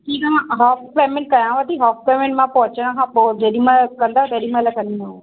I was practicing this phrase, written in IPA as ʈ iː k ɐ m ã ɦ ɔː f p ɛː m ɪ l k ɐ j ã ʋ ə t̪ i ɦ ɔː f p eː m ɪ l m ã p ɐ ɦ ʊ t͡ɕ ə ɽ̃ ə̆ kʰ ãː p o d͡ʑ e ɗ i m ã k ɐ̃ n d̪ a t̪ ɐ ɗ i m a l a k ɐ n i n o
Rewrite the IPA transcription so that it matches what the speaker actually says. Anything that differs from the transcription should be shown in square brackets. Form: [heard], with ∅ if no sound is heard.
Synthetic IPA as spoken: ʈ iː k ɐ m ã ɦ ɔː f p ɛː m ɪ l k ɐ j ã ʋ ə t̪ i ɦ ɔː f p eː m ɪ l m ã p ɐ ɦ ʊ t͡ɕ ə ɽ̃ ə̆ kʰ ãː p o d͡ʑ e ɗ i m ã k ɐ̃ n d̪ a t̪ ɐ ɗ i m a l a k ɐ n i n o